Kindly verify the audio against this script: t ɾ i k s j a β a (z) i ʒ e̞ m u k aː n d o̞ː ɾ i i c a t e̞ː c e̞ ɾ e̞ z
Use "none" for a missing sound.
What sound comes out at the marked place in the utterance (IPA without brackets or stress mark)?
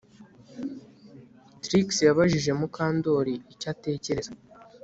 ʒ